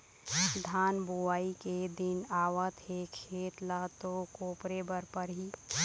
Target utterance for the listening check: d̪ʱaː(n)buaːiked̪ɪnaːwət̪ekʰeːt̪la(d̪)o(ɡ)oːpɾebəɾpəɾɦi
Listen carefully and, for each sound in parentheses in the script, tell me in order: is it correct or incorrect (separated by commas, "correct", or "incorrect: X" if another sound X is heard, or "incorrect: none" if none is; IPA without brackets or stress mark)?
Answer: correct, incorrect: t̪, incorrect: k